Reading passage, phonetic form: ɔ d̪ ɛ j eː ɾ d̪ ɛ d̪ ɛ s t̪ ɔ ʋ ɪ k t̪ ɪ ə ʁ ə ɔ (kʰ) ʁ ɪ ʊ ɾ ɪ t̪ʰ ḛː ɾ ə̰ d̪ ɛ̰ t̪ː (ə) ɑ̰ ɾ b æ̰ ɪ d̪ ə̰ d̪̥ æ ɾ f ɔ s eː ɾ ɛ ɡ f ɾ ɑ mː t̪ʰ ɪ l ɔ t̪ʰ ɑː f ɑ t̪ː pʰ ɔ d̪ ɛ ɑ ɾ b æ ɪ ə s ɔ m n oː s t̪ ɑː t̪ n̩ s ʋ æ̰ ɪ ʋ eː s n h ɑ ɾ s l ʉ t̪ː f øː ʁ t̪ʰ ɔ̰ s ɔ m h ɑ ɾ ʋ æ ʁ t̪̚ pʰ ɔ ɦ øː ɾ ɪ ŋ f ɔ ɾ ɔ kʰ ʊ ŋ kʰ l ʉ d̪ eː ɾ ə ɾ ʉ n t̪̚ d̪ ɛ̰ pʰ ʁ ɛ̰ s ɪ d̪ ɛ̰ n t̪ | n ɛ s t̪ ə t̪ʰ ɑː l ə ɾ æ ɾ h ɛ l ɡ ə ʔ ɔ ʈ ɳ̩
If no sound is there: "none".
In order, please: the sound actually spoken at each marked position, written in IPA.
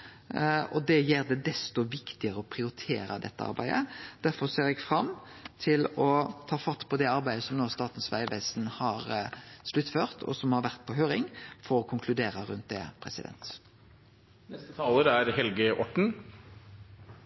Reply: pʰ, ə

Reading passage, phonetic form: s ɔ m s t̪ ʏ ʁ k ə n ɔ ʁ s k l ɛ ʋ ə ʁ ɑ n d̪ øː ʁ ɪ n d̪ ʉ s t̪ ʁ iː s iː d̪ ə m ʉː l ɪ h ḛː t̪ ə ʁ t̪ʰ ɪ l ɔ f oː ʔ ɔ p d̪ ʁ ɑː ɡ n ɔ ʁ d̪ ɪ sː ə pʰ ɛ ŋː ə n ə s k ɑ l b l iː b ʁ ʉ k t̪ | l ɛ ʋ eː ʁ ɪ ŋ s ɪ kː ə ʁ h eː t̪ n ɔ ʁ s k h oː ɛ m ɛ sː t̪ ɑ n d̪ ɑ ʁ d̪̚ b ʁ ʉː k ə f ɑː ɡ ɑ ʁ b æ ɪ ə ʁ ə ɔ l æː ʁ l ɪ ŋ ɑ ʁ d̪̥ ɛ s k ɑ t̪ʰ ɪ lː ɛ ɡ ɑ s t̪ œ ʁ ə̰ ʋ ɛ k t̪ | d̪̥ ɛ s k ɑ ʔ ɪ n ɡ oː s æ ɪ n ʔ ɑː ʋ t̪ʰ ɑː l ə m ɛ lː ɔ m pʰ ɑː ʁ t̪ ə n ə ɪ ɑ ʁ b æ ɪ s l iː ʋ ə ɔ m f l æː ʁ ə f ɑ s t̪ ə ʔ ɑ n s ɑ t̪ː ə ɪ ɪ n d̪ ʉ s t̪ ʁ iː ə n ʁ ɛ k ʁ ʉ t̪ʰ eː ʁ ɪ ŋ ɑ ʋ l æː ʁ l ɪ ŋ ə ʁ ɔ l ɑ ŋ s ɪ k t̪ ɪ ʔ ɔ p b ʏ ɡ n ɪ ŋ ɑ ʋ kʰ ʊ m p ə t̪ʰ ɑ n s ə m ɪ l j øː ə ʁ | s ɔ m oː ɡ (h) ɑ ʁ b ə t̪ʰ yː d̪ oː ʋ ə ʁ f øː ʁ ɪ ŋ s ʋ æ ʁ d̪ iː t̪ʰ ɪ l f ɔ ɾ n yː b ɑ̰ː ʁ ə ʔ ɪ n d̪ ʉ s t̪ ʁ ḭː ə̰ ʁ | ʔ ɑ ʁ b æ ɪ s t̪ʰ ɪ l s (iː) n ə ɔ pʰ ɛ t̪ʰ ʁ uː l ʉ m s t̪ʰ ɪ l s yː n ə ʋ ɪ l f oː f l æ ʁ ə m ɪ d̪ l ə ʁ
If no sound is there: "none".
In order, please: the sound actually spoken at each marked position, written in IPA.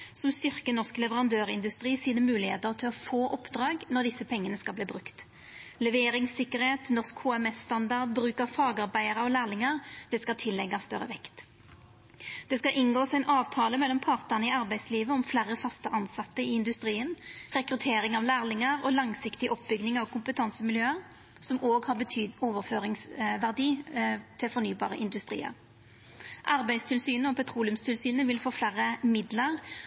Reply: h, yː

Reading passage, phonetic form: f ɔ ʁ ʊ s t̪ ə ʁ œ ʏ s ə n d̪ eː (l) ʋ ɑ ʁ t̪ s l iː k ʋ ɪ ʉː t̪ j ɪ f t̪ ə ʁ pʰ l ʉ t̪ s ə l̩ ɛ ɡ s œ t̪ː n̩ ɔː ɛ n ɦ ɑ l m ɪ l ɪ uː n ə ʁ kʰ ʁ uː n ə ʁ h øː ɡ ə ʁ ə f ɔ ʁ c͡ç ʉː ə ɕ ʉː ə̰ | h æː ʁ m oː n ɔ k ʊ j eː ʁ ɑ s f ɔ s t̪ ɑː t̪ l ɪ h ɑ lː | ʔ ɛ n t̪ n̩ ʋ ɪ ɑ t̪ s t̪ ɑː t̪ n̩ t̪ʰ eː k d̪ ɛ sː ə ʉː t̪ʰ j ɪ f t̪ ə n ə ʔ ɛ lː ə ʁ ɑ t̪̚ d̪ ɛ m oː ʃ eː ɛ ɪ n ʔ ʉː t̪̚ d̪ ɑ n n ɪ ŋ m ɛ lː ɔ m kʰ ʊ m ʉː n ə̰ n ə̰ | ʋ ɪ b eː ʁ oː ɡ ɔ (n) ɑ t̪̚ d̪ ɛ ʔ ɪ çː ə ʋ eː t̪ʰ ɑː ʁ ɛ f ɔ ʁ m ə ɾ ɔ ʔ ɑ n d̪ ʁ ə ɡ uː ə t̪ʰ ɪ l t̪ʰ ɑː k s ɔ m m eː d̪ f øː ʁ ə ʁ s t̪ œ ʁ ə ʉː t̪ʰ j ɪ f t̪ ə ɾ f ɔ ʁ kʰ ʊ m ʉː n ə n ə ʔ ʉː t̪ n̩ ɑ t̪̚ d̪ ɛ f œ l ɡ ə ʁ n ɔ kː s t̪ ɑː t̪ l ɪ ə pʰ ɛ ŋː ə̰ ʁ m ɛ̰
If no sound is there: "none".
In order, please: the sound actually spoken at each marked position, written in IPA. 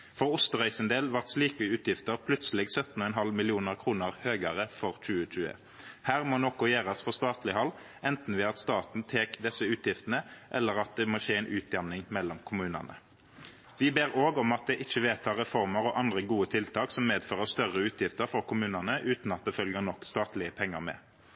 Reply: l, m

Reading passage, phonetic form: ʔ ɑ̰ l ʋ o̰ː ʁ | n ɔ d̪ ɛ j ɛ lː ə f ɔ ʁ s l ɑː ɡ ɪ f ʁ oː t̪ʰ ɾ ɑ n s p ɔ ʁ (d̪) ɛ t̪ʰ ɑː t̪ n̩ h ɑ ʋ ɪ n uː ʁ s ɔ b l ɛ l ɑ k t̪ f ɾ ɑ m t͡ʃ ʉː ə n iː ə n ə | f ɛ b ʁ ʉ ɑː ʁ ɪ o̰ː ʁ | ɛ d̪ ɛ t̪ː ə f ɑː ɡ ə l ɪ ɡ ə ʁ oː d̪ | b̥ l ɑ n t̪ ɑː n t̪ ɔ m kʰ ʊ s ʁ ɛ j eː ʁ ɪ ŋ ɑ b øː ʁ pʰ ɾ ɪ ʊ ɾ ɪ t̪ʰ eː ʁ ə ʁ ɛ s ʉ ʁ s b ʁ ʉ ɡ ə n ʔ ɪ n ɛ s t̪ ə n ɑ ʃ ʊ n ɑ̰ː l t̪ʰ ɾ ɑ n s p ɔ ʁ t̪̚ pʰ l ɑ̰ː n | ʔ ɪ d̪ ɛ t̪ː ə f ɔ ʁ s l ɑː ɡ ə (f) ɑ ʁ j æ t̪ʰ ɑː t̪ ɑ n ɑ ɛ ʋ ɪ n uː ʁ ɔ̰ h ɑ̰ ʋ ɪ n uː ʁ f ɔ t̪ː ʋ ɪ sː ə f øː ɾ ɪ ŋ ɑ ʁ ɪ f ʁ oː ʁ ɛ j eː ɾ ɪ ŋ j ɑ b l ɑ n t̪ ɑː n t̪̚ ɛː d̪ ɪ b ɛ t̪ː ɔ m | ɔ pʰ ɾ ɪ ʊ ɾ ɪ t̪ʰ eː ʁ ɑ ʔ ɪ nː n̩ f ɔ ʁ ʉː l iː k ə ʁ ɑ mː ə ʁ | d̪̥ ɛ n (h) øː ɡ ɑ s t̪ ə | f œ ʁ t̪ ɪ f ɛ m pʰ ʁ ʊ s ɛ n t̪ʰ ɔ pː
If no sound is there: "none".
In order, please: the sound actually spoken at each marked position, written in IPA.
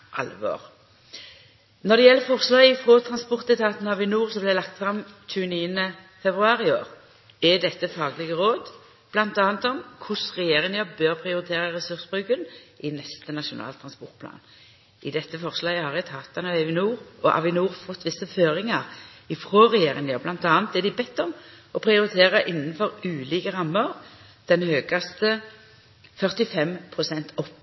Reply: t̪, h, h

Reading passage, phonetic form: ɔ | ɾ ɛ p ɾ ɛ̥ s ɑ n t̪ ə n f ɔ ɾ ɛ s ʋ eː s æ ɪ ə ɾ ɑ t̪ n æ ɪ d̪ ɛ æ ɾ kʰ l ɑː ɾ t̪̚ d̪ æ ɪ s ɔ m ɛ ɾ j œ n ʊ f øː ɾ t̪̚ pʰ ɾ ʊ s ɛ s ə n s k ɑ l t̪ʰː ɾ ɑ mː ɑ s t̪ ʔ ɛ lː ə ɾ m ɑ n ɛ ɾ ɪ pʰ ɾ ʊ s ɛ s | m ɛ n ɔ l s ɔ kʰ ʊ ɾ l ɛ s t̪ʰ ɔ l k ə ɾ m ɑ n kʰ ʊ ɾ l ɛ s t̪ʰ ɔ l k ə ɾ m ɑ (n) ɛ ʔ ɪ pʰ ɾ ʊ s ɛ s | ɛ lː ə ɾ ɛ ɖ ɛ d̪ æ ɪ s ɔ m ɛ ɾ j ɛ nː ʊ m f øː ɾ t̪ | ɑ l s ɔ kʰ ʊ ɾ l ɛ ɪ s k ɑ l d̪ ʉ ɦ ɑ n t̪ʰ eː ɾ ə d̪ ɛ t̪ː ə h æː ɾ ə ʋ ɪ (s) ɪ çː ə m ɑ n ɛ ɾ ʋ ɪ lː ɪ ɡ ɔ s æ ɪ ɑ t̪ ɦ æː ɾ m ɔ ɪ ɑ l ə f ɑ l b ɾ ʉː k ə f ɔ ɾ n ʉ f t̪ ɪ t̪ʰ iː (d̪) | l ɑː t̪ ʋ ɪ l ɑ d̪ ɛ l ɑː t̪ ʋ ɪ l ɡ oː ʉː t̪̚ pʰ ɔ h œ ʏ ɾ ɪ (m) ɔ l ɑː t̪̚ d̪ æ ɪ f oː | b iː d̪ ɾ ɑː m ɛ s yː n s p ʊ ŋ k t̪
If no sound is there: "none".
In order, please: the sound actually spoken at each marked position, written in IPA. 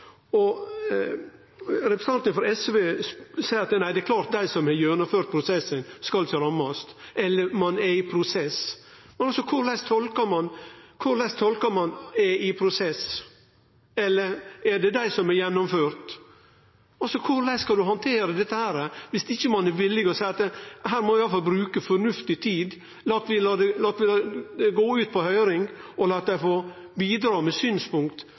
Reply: n, s, d̪, ŋ

